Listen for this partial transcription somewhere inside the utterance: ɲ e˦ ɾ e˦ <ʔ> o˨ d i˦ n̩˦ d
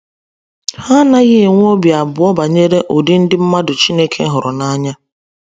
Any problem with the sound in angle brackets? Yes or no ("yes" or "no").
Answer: no